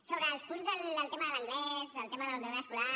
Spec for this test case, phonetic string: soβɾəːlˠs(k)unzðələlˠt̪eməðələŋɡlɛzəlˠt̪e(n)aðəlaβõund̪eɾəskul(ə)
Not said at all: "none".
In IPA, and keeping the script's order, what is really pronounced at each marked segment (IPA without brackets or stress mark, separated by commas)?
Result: p, m, a